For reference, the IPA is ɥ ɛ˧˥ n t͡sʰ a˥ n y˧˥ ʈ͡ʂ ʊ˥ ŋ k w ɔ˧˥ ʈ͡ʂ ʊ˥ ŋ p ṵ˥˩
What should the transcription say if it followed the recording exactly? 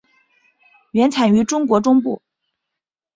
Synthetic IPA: ɥ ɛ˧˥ n t͡sʰ a˨˩ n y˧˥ ʈ͡ʂ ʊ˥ ŋ k w ɔ˧˥ ʈ͡ʂ ʊ˥ ŋ p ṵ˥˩